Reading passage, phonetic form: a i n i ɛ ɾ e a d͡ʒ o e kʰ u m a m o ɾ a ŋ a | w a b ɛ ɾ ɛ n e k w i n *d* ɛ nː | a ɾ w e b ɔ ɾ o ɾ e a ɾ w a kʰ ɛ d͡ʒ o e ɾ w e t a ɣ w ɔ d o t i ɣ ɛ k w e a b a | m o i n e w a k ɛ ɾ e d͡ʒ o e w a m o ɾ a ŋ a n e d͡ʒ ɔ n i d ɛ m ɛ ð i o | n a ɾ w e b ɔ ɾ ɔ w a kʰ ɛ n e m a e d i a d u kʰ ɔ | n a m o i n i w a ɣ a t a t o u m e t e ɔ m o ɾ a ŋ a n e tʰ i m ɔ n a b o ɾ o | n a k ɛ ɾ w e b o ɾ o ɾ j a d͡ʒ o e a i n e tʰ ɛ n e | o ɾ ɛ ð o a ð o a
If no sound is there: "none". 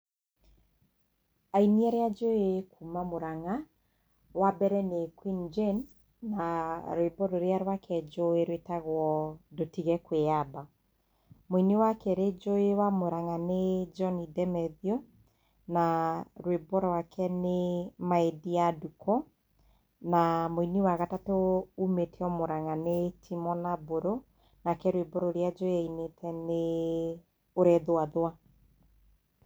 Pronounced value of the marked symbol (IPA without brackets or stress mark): d͡ʒ